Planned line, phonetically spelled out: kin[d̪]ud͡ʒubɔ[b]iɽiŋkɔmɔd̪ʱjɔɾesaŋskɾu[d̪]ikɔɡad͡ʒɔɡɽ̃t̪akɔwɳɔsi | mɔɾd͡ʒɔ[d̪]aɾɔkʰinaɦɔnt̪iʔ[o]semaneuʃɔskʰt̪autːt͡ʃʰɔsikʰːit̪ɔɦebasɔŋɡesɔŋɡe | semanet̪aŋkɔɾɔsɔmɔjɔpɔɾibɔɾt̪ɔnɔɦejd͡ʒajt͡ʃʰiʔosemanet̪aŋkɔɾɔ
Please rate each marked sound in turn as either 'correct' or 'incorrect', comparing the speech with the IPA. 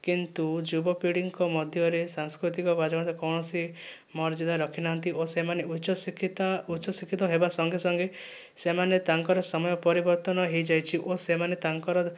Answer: incorrect, incorrect, incorrect, correct, correct

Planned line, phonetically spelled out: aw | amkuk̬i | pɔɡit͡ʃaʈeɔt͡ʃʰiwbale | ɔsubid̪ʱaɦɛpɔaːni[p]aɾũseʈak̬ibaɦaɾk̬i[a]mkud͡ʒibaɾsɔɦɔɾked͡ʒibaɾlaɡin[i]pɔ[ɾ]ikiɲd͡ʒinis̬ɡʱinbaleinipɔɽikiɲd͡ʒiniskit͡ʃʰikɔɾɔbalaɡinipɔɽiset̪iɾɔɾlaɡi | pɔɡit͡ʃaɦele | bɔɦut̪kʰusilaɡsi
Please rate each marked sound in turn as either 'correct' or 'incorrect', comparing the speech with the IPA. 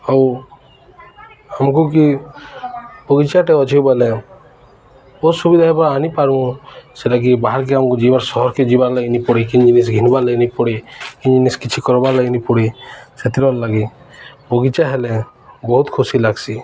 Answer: correct, correct, correct, incorrect

